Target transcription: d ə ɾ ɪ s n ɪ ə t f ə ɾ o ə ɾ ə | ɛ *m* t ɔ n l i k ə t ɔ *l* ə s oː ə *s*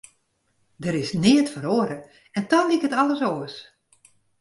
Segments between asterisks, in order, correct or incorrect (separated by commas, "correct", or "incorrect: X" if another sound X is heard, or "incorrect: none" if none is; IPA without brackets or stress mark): incorrect: n, correct, correct